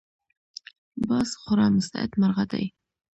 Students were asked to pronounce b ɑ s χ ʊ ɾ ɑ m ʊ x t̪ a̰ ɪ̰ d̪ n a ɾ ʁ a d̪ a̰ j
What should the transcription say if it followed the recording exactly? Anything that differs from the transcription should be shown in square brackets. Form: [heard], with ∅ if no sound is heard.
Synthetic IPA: b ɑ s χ ʊ ɾ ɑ m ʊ [s] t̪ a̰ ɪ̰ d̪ [m] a ɾ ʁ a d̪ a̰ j